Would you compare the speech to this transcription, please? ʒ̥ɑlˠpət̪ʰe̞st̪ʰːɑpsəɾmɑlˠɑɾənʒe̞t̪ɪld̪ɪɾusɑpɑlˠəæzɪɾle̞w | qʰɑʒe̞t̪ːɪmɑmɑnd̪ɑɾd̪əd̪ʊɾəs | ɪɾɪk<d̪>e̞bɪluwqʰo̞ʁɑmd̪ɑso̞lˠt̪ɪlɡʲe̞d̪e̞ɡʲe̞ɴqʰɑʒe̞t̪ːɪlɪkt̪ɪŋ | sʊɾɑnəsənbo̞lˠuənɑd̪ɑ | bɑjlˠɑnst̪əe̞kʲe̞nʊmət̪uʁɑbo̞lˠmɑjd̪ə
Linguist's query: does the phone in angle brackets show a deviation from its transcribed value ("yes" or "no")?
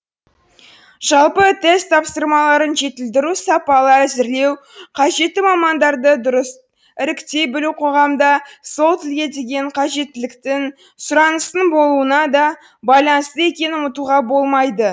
yes